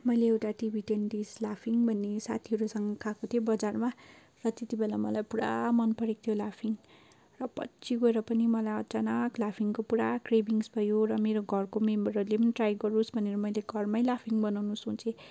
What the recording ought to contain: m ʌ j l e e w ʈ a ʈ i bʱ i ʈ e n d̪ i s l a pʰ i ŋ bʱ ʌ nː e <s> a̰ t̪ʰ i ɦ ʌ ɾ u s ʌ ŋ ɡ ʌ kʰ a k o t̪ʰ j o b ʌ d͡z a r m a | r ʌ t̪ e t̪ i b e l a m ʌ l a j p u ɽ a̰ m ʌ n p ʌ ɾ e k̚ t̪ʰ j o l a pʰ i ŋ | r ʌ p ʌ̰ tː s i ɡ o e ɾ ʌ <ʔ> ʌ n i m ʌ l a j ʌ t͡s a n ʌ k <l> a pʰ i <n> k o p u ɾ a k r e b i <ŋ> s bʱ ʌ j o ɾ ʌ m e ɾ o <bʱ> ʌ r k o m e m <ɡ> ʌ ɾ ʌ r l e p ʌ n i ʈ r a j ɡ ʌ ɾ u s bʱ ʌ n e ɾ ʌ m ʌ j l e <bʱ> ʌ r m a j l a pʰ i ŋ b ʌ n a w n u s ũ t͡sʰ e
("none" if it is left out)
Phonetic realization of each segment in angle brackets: s, p, l, ŋ, ŋ, ɡʱ, b, ɡʱ

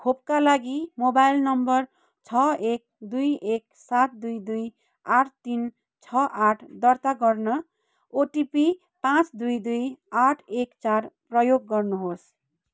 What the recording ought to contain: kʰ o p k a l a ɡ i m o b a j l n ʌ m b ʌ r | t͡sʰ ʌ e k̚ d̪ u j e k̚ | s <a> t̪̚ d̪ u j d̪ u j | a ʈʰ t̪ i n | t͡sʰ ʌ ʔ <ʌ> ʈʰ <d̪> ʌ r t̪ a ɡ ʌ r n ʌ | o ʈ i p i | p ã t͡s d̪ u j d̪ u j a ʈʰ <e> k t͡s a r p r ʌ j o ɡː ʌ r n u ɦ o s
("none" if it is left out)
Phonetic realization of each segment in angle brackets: a, a, d̪, e

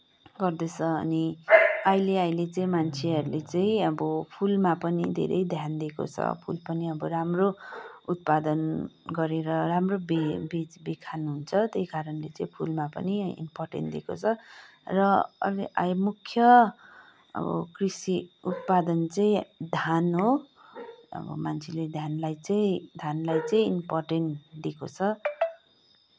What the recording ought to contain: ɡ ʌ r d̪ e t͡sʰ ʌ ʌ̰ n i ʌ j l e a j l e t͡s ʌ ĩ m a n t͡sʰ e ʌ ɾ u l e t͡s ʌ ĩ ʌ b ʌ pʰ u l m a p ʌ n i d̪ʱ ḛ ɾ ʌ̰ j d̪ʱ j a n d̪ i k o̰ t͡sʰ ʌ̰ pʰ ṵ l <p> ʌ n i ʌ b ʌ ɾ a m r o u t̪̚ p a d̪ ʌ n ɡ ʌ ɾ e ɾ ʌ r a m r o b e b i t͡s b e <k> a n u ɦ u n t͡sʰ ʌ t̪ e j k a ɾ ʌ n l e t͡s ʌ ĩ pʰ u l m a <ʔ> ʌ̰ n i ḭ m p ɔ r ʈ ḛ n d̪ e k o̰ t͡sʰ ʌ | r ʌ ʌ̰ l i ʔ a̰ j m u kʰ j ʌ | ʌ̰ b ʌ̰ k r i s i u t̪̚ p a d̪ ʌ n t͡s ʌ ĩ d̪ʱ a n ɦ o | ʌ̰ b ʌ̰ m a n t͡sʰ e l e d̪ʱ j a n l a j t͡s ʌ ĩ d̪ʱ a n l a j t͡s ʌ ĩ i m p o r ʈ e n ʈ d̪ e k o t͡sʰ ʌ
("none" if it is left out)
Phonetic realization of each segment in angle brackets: p, kʰ, p

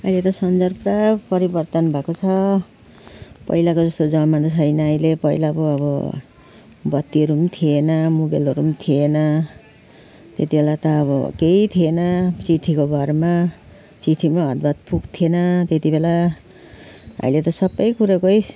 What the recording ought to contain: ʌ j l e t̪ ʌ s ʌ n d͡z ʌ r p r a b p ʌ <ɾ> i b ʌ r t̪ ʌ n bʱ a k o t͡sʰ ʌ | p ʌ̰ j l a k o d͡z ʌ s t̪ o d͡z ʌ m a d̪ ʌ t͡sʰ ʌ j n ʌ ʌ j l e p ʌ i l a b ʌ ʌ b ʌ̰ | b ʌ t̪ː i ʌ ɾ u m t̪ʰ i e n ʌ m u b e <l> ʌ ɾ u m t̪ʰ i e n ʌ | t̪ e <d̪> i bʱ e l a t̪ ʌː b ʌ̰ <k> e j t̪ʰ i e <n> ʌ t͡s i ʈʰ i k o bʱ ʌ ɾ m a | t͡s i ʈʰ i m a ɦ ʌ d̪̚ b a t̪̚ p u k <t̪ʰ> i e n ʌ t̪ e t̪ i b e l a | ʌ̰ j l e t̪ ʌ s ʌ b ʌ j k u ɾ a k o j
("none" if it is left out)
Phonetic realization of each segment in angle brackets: ɾ, l, t̪, k, n, t̪ʰ

